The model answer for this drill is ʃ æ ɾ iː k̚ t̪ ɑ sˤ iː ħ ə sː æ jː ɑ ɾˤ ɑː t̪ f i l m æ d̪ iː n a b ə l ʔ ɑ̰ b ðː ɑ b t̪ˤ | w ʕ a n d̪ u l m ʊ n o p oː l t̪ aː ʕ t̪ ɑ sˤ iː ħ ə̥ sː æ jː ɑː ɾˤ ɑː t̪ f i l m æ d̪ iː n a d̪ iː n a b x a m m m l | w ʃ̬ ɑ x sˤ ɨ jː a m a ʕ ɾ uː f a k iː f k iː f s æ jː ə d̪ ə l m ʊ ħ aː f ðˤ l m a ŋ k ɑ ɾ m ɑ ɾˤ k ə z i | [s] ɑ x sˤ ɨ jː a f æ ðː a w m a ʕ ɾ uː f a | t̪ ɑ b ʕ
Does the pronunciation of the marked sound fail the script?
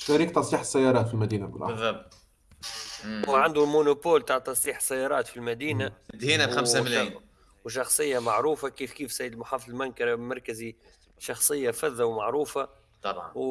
yes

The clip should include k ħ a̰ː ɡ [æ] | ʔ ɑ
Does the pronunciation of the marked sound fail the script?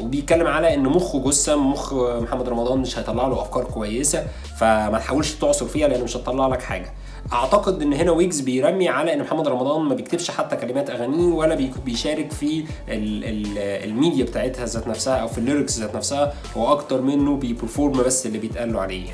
no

